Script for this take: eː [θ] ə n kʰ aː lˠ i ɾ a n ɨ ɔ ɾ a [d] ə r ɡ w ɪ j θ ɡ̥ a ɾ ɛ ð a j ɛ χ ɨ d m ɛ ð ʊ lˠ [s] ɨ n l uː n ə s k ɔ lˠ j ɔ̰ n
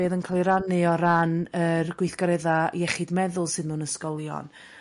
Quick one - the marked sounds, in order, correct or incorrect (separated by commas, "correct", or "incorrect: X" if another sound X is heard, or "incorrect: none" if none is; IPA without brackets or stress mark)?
incorrect: ð, incorrect: n, correct